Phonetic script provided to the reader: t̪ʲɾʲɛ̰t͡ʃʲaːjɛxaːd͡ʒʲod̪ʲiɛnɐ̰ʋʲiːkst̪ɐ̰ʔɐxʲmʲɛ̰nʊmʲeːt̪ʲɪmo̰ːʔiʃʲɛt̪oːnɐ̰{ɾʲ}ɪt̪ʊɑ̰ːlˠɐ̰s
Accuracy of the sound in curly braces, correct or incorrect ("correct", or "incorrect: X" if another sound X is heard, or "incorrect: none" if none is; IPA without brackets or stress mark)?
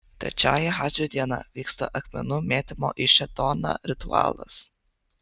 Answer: correct